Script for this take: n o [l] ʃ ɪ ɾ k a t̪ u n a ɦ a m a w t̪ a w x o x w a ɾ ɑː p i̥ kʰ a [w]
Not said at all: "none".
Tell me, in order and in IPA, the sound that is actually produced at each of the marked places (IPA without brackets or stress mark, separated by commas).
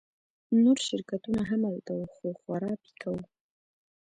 ɾ, w